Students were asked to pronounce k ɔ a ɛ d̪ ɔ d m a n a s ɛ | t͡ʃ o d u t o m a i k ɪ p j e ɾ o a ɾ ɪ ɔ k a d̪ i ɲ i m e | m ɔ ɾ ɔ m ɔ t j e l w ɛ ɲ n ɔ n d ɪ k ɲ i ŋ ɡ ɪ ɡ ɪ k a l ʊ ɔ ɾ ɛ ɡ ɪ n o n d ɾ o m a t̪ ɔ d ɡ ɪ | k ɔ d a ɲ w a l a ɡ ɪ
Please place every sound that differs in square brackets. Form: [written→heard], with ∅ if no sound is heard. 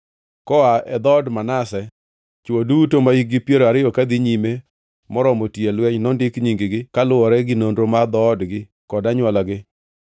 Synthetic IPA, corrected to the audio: k ɔ a ɛ d̪ ɔ d m a n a s ɛ | t͡ʃ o d u t o m a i [k→ɡ] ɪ p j e ɾ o a ɾ ɪ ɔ k a d̪ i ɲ i m e | m ɔ ɾ ɔ m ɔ t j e l w ɛ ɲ n ɔ n d ɪ k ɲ i ŋ ɡ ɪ ɡ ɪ k a l ʊ ɔ ɾ ɛ ɡ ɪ n o n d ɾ o m a [t̪→d̪] ɔ d ɡ ɪ | k ɔ d a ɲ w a l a ɡ ɪ